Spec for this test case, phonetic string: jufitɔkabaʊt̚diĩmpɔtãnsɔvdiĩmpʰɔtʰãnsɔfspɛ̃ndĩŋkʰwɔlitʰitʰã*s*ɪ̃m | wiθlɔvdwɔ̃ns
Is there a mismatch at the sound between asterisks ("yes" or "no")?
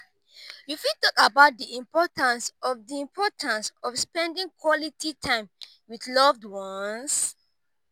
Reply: yes